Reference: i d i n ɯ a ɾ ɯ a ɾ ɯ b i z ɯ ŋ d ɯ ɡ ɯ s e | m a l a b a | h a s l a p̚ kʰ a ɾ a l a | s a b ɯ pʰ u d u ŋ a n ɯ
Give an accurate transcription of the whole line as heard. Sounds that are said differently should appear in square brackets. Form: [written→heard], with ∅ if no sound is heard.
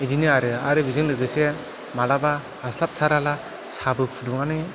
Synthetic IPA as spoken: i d i n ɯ a ɾ ɯ a ɾ ɯ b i z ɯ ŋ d ɯ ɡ ɯ s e | m a l a b a | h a s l a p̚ [kʰ→tʰ] a ɾ a l a | s a b ɯ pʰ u d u ŋ a n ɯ